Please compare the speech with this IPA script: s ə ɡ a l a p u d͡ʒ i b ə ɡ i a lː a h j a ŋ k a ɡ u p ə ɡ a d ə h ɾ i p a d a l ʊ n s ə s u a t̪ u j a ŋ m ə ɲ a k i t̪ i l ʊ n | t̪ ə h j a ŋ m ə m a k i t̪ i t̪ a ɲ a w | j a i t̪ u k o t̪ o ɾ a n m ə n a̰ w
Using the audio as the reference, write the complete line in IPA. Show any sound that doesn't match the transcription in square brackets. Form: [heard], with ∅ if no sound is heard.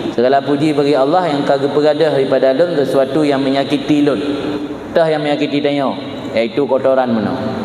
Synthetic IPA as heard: s ə ɡ a l a p u d͡ʒ i b [a] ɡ i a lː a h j a ŋ k a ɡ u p ə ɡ a d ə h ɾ i p a d a l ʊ n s ə s u a t̪ u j a ŋ m ə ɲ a k i t̪ i l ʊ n | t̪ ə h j a ŋ m ə [ɲ] a k i t̪ i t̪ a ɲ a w | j a i t̪ u k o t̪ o ɾ a n m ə n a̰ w

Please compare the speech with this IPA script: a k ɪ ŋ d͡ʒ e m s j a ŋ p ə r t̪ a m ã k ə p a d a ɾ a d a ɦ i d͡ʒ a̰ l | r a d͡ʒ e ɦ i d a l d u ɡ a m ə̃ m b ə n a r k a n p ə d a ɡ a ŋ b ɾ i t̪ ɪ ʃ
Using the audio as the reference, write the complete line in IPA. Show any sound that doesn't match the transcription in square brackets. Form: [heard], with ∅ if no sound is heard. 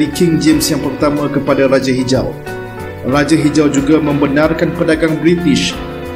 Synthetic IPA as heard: [i] k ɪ ŋ d͡ʒ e m s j a ŋ p ə r t̪ a m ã k ə p a d a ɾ a [d͡ʒ] a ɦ i d͡ʒ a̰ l | r a d͡ʒ [a] ɦ i [d͡ʒ] a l [d͡ʒ] u ɡ a m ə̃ m b ə n a r k a n p ə d a ɡ a ŋ b ɾ i t̪ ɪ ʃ

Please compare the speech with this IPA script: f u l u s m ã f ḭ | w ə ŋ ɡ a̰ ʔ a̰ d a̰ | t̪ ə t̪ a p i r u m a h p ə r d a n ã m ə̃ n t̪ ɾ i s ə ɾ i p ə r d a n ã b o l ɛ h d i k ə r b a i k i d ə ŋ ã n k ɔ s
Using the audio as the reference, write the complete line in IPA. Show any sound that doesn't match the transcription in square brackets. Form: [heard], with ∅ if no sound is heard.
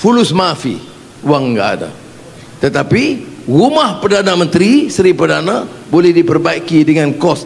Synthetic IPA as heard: f u l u s m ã f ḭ | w [a] ŋ ɡ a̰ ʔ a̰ d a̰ | t̪ ə t̪ a p i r u m a h p ə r d a n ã m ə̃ n t̪ ɾ i s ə ɾ i p ə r d a n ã b o l ɛ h d i [p] ə r b a i k i d ə ŋ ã n k ɔ s

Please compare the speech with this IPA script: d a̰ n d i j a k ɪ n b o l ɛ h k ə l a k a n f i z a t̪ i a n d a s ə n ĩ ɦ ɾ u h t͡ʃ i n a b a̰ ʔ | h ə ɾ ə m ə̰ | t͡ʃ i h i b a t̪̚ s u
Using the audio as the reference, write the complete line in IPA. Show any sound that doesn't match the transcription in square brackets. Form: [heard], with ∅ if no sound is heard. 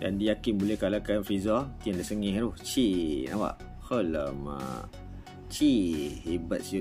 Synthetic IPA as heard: d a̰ n d i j a k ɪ n b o l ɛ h k [a] l a k a n f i z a t̪ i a n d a s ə [ŋ] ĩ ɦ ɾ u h t͡ʃ i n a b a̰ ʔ | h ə [l] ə m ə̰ | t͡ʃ i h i b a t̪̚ s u

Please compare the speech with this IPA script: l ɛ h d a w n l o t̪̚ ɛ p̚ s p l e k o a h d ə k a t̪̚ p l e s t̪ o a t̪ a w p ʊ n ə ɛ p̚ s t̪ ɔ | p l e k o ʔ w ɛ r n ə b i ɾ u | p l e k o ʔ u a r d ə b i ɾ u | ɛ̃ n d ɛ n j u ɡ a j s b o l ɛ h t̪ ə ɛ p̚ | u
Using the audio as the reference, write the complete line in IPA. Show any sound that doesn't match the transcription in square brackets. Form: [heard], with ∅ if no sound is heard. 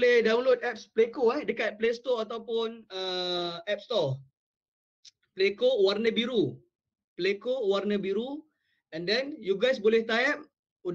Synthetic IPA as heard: l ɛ h d a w n l o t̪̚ ɛ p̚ s p l e k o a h d ə k a t̪̚ p l e s t̪ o a t̪ a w p ʊ n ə ɛ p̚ s t̪ ɔ | p l e k o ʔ w [a] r n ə b i ɾ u | p l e k o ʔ [w] a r [n] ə b i ɾ u | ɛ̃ n d ɛ n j u ɡ a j s b o l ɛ h t̪ [a] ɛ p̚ | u

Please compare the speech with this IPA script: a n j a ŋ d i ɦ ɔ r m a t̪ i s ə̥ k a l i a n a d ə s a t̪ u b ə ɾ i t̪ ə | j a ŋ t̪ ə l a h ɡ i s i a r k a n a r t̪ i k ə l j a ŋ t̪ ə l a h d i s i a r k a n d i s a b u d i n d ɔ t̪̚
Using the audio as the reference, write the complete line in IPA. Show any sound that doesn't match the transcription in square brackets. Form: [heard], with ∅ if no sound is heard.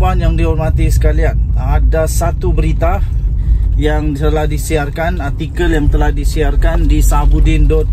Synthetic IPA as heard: a n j a ŋ d i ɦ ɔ r m a t̪ i s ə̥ k a l i a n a d [a] s a t̪ u b ə ɾ i t̪ [a] | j a ŋ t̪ ə l a h [d] i s i a r k a n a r t̪ i k ə l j a ŋ t̪ ə l a h d i s i a r k a n d i s a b u d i n d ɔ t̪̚

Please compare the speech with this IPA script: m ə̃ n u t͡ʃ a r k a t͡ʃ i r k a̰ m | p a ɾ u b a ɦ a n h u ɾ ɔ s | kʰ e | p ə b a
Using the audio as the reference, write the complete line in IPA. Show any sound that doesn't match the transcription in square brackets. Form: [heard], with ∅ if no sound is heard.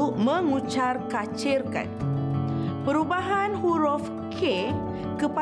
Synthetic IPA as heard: m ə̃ [ŋ] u t͡ʃ a r k a t͡ʃ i r k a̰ [n] | p [ə] ɾ u b a ɦ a n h u ɾ ɔ [f] | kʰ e | [k] ə [p] a

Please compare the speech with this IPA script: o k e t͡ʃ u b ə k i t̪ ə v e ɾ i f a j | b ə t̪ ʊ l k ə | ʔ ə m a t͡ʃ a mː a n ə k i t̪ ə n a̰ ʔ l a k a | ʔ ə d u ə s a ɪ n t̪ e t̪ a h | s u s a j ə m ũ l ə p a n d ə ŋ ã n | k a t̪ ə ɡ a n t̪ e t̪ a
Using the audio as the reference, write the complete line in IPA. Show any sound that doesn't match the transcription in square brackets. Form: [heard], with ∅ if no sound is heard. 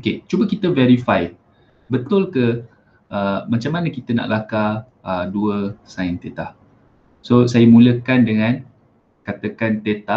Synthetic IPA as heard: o k e t͡ʃ u b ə k i t̪ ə v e ɾ i f a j | b ə t̪ ʊ l k ə | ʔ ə m a t͡ʃ a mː a n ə k i t̪ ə n a̰ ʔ l a k a | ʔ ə d u ə s a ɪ n t̪ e t̪ a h | s [o] s a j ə m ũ l ə [k] a n d ə ŋ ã n | k a t̪ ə [k] a n t̪ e t̪ a

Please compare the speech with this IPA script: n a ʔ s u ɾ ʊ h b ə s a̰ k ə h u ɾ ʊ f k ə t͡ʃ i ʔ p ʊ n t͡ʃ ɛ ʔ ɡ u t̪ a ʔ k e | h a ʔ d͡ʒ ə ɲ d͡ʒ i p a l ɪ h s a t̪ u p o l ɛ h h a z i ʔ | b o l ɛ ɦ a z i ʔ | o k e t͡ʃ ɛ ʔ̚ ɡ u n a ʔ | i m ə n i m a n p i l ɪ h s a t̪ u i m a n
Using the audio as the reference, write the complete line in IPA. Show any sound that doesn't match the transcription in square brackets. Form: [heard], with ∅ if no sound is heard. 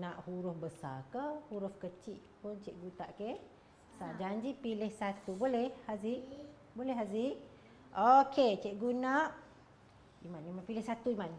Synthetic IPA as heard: n a ʔ [h] u ɾ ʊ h b ə s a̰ k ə h u ɾ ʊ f k ə t͡ʃ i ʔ p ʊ n t͡ʃ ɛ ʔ ɡ u t̪ a ʔ k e | [s] a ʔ d͡ʒ [a] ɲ d͡ʒ i p [i] l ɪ h s a t̪ u [b] o l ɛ h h a z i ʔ | b o l ɛ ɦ a z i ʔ | o k e t͡ʃ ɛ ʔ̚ ɡ u n a ʔ | i m [a] n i m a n p i l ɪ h s a t̪ u i m a n

